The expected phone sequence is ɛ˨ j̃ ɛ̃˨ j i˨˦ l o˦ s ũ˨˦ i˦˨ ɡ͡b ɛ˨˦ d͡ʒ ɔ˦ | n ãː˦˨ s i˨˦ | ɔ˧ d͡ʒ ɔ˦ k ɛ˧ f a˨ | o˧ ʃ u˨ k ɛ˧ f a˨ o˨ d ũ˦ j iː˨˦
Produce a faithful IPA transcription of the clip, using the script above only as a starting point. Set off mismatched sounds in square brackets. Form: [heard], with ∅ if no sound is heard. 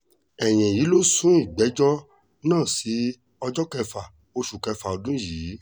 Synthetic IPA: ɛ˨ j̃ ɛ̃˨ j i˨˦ l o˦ s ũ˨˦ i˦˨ ɡ͡b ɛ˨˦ d͡ʒ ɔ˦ | n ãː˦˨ s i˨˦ | ɔ˧ d͡ʒ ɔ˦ k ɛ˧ f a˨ | o˧ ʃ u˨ k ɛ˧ f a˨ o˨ d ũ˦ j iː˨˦